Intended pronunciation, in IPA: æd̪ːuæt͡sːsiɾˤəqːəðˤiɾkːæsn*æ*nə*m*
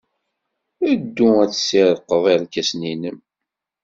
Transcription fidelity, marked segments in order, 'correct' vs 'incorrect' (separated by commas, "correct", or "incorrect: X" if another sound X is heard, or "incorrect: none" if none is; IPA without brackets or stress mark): incorrect: i, correct